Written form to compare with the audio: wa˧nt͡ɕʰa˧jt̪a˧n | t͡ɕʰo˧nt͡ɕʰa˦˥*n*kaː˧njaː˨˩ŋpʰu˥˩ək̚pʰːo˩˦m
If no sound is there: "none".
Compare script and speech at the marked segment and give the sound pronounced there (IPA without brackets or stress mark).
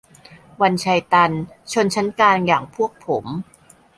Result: n